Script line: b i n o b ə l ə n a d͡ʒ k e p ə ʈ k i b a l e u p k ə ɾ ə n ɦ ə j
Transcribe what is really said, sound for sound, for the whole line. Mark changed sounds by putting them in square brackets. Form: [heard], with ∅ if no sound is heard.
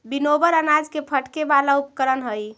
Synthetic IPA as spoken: b i n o b ə [ɾ] ə n a d͡ʒ k e [pʰ] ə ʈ k [e] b a l [a] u p k ə ɾ ə n ɦ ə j